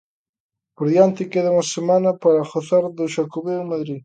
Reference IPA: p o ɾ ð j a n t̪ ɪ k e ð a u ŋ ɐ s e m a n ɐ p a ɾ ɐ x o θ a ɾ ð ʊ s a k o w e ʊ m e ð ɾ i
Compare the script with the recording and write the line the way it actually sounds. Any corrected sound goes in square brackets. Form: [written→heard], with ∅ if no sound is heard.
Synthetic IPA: p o ɾ ð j a n t̪ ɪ k e ð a u ŋ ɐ s e m a n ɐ p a ɾ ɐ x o θ a ɾ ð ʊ [s→ʃ] a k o [w→β] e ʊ m [e→a] ð ɾ i

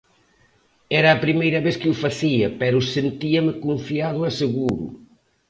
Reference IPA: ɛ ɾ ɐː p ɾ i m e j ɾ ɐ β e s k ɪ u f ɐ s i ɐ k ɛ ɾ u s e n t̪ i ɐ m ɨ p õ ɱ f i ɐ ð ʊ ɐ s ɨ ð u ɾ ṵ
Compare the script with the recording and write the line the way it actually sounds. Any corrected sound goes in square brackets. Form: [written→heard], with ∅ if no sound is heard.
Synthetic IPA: ɛ ɾ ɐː p ɾ i m e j ɾ ɐ β e s k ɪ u f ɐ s i ɐ [k→p] ɛ ɾ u s e n t̪ i ɐ m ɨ [p→k] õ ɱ f i [ɐ→a] ð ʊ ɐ s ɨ [ð→ɣ] u ɾ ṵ

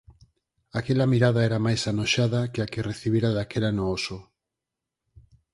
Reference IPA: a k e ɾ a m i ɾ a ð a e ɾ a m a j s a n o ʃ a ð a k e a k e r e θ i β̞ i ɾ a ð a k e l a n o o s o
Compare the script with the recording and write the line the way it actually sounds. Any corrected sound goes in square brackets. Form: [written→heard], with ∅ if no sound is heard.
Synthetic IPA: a k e [ɾ→l] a m i ɾ a ð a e ɾ a m a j s a n o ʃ a ð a k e a k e r e θ i β̞ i ɾ a ð a k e l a n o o s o

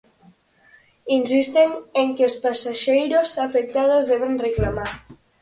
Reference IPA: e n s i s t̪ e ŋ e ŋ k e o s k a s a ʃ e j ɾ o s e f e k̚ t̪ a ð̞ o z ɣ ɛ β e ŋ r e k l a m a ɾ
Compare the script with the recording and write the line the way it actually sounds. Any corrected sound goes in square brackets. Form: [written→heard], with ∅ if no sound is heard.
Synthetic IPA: [e→i] n s i s t̪ e ŋ e ŋ k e o s [k→p] a s a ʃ e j ɾ o s [e→a] f e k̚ t̪ a ð̞ o z [ɣ→ð] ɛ β e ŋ r e k l a m a ɾ

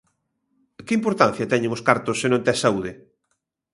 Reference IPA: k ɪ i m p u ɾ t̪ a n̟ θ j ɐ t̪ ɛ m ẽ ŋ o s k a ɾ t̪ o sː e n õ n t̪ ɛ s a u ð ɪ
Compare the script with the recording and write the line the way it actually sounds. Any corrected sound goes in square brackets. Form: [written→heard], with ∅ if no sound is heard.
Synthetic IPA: k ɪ i m p [u→o] ɾ t̪ a n̟ θ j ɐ t̪ ɛ [m→ɲ] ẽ ŋ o s k a ɾ t̪ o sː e n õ n t̪ ɛ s a u ð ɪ

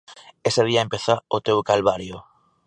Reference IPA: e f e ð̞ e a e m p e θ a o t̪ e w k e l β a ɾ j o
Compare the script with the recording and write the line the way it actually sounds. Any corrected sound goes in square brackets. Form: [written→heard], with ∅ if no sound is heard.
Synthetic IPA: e [f→s] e ð̞ [e→i] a e m p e θ a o t̪ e w k [e→a] l β a ɾ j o

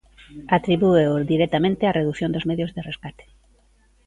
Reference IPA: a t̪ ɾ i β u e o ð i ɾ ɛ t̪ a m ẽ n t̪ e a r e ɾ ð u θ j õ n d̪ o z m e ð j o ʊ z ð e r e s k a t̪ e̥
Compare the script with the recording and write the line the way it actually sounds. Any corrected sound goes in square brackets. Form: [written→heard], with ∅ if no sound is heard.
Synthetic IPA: a t̪ ɾ i β u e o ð i ɾ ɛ t̪ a m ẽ n t̪ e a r e [ɾ→∅] ð u θ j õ n d̪ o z m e ð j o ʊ z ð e r e s k a t̪ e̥

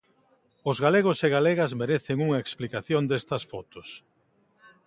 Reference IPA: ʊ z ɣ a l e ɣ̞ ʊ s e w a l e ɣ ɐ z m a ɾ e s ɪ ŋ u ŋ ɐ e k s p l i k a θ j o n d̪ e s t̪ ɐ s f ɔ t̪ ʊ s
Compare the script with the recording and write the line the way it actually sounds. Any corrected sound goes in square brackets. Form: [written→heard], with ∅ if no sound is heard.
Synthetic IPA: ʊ z ɣ a l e ɣ̞ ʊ s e [w→ɣ] a l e ɣ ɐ z m [a→e] ɾ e [s→θ] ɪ ŋ u ŋ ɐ e k s p l i k a θ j o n d̪ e s t̪ ɐ s f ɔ t̪ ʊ s

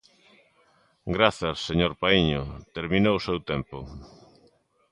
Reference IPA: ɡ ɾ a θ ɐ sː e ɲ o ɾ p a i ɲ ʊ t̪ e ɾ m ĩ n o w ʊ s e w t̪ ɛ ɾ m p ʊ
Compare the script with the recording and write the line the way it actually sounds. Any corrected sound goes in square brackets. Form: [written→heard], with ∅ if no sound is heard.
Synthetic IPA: ɡ ɾ a θ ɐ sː e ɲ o ɾ p a i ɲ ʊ t̪ e ɾ m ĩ n o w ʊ s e w t̪ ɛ [ɾ→∅] m p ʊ

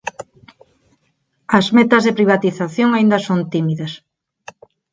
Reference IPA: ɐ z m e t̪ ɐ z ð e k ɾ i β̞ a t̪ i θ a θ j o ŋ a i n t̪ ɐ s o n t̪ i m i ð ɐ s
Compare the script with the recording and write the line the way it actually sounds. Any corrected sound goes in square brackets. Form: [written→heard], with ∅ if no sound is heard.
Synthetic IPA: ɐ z m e t̪ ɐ z ð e [k→p] ɾ i β̞ a t̪ i θ a θ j o ŋ a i n [t̪→d̪] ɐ s o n t̪ i m i ð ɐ s

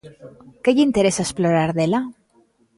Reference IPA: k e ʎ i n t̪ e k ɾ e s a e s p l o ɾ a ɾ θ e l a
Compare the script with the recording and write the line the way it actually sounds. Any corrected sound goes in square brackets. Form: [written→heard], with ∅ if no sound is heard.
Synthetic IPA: k e ʎ i n t̪ e [k→∅] ɾ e s a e s p l o ɾ a ɾ [θ→ð] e l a

